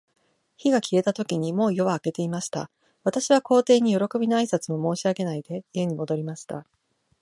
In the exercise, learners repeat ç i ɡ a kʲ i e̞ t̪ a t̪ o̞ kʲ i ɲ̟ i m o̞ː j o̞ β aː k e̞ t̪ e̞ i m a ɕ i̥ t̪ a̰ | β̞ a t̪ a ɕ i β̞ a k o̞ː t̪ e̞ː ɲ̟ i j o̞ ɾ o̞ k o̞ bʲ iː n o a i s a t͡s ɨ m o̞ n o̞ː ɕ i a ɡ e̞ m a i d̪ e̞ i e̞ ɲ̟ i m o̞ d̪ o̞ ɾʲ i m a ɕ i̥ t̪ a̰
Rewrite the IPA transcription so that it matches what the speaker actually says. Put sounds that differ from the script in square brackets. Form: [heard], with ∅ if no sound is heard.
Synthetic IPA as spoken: ç i ɡ a kʲ i e̞ t̪ a t̪ o̞ kʲ i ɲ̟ i m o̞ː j o̞ β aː k e̞ t̪ e̞ i m a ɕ i̥ t̪ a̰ | β̞ a t̪ a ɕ i β̞ a k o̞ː t̪ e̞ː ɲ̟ i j o̞ ɾ o̞ k o̞ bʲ [i] n o a i s a t͡s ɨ m o̞ [m] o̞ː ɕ i a ɡ e̞ [n] a i d̪ e̞ i e̞ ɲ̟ i m o̞ d̪ o̞ ɾʲ i m a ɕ i̥ t̪ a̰